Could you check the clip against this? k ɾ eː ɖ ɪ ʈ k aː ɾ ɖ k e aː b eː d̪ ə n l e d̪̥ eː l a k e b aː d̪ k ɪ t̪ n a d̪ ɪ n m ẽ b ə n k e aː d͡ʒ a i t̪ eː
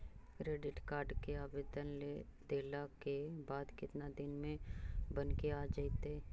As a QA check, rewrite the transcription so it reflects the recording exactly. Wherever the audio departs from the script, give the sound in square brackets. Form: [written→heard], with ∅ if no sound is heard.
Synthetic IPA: k ɾ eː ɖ ɪ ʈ k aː ɾ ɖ k e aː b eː d̪ ə n l e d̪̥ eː l a k e b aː d̪ k ɪ t̪ n a d̪ ɪ n m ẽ b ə n k e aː d͡ʒ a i t̪ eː